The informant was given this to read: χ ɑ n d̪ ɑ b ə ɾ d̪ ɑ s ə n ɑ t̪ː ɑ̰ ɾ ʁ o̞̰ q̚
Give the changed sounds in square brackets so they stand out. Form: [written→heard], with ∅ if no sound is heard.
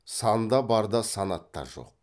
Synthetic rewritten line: [χ→s] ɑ n d̪ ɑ b [ə→ɑ] ɾ d̪ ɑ s [ə→ɑ] n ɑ t̪ː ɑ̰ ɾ [ʁ→ʒ] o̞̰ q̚

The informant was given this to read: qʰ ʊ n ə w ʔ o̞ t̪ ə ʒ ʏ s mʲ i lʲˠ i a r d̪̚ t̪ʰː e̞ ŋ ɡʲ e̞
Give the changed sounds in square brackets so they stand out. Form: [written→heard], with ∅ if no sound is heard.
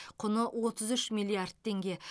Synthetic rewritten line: qʰ ʊ n ə w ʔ o̞ t̪ ə [ʒ→z] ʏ [s→ʃ] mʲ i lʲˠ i a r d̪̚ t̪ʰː e̞ ŋ ɡʲ e̞

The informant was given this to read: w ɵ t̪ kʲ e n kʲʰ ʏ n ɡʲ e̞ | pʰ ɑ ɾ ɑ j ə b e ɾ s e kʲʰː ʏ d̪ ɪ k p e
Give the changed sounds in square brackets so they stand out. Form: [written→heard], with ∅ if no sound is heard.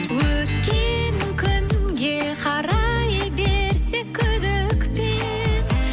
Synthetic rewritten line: w ɵ t̪ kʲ e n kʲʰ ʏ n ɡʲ e̞ | [pʰ→qʰ] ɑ ɾ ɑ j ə b e ɾ s e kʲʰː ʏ d̪ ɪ k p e

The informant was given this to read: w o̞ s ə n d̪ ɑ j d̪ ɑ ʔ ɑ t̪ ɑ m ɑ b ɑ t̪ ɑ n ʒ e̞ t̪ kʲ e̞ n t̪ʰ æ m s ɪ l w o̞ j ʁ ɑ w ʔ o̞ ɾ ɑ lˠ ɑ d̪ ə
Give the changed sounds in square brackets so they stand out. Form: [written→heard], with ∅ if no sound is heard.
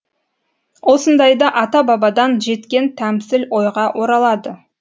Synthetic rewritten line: w o̞ s ə n d̪ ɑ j d̪ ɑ ʔ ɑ t̪ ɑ [m→b] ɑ b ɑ [t̪→d̪] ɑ n ʒ e̞ t̪ kʲ e̞ n t̪ʰ æ m s ɪ l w o̞ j ʁ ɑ w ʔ o̞ ɾ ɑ lˠ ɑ d̪ ə

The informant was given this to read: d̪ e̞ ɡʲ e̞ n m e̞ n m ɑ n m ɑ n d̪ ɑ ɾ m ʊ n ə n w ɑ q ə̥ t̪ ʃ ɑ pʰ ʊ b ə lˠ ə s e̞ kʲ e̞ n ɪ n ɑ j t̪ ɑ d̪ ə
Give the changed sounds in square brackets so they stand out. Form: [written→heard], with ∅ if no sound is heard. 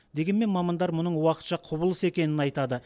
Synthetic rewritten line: d̪ e̞ ɡʲ e̞ n m e̞ n m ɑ [n→∅] m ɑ n d̪ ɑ ɾ m ʊ n ə [n→ɴ] w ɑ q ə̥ t̪ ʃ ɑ [pʰ→qʰ] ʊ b ə lˠ ə s e̞ kʲ e̞ n ɪ n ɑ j t̪ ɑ d̪ ə

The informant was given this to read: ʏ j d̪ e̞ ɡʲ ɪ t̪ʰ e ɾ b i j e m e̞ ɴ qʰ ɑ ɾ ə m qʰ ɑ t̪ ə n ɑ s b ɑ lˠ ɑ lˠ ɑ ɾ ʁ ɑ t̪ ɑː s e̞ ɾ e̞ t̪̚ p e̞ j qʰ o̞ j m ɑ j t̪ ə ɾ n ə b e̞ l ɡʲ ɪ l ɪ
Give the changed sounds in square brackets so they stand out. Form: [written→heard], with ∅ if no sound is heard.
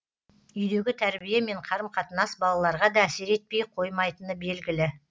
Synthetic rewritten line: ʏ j d̪ e̞ ɡʲ ɪ t̪ʰ [e→æ] ɾ b i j e m e̞ ɴ qʰ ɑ ɾ ə m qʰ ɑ t̪ ə n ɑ s b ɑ lˠ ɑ lˠ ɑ ɾ ʁ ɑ [t̪→d̪] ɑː s e̞ ɾ e̞ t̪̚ p e̞ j qʰ o̞ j m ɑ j t̪ ə [ɾ→∅] n ə b e̞ l ɡʲ ɪ l ɪ

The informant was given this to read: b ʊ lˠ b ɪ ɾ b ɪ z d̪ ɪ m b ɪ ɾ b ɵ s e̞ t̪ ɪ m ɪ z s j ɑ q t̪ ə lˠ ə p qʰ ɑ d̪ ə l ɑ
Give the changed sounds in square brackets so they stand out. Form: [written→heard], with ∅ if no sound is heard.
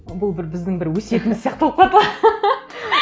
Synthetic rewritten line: b ʊ lˠ b ɪ ɾ b ɪ z d̪ ɪ [m→ŋ] b ɪ ɾ [b→w] ɵ s e̞ t̪ ɪ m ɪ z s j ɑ q t̪ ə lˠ ə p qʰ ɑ [d̪→t̪] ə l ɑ

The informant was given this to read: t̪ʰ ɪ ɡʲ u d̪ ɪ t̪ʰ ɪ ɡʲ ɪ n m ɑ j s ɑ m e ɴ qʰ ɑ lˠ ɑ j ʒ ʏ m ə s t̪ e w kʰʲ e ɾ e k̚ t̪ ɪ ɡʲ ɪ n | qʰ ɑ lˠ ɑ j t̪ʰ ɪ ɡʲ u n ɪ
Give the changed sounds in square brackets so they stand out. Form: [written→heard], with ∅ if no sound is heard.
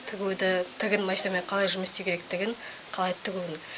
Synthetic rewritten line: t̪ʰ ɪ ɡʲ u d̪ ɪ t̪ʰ ɪ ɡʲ ɪ n m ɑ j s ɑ m e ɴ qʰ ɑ lˠ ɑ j ʒ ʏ m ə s t̪ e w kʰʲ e ɾ e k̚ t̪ ɪ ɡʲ ɪ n | qʰ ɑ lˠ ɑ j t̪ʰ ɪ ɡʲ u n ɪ

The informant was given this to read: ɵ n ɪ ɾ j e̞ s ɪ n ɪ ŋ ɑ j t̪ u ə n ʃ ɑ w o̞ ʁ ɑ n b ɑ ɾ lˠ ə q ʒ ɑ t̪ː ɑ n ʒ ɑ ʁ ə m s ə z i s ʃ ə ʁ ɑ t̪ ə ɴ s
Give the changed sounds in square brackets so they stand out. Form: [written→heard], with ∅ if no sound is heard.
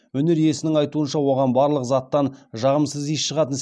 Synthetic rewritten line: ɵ n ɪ ɾ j e̞ s ɪ n ɪ ŋ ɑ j t̪ u ə n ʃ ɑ w o̞ ʁ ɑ n b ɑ ɾ lˠ ə q [ʒ→z] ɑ t̪ː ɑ n ʒ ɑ ʁ ə m s ə z i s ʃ ə ʁ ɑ t̪ ə [ɴ→n] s

